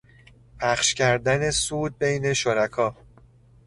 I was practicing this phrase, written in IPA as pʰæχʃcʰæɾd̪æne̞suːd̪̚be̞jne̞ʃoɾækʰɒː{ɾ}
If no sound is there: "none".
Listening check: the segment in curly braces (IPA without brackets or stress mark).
none